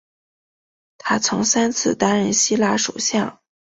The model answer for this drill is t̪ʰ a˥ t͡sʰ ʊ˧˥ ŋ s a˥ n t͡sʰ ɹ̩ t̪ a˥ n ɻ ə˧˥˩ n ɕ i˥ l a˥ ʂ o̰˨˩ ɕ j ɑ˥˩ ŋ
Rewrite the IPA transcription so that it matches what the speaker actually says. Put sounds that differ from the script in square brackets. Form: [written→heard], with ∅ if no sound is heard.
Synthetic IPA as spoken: t̪ʰ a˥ t͡sʰ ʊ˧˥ ŋ s a˥ n t͡sʰ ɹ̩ t̪ a˥ n ɻ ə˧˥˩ n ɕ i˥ l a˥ ʂ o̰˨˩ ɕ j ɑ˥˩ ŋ